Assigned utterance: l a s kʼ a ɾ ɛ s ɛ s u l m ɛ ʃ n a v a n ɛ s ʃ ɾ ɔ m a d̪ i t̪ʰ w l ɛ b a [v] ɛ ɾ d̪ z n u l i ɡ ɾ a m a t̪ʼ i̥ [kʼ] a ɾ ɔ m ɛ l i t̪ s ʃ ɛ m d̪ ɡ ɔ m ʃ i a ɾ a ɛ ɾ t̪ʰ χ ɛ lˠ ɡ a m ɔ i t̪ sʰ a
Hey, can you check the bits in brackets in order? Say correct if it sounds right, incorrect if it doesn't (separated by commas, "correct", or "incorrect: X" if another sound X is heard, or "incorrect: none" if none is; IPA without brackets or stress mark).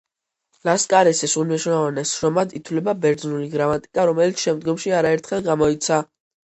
incorrect: b, correct